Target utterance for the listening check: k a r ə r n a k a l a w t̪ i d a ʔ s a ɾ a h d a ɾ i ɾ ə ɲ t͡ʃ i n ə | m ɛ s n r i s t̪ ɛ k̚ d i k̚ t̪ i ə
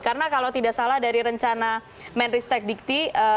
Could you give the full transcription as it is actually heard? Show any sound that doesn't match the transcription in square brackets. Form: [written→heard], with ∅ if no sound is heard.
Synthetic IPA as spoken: k a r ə [r→∅] n a k a l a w t̪ i d a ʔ s a [ɾ→l] a h d a ɾ i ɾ ə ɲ t͡ʃ [i→a] n [ə→a] | m ɛ [s→∅] n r i s t̪ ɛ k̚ d i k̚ t̪ i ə